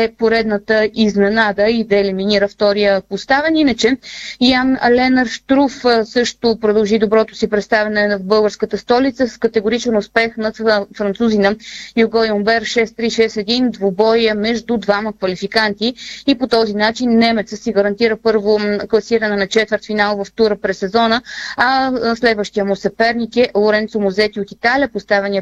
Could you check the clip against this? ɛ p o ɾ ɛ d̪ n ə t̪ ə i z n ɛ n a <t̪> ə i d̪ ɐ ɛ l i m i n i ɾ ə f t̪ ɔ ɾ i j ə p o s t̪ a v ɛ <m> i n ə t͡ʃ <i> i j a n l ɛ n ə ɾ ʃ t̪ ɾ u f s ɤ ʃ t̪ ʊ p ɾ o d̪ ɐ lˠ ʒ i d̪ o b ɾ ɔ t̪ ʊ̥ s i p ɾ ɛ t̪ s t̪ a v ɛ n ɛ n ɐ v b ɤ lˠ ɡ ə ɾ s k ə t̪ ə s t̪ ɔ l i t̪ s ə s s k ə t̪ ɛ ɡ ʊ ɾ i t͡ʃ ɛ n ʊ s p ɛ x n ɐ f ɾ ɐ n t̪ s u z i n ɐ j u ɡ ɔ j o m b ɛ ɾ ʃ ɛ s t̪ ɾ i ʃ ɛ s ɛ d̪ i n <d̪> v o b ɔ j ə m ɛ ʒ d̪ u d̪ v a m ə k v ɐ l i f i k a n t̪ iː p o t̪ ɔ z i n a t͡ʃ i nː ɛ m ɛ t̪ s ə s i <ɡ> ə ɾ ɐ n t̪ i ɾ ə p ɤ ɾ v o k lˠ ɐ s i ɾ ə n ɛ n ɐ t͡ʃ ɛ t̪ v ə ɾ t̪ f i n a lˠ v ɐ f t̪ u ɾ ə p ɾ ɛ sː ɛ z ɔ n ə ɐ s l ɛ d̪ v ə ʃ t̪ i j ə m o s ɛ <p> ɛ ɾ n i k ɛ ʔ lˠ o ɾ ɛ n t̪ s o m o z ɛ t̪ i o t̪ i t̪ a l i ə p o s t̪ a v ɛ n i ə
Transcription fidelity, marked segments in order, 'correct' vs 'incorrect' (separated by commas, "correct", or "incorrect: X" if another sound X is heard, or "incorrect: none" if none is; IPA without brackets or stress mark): incorrect: d̪, incorrect: n, incorrect: ɛ, correct, correct, correct